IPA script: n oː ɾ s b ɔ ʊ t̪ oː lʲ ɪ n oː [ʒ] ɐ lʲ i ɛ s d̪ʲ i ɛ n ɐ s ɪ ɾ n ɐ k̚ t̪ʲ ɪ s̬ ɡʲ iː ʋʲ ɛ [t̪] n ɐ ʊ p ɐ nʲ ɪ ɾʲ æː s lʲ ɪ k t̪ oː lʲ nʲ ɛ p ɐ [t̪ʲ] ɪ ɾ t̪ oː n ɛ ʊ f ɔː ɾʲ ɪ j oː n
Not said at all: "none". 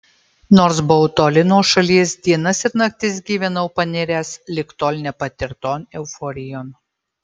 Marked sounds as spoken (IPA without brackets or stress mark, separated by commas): ʃ, none, t̪ʲ